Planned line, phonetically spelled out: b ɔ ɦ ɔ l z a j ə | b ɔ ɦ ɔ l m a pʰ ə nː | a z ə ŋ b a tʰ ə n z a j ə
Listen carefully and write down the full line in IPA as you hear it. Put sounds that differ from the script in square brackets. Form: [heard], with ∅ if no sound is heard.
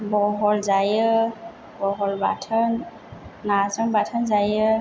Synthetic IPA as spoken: b ɔ ɦ ɔ l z a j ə | b ɔ ɦ ɔ l [b] a [tʰ] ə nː | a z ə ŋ b a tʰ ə n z a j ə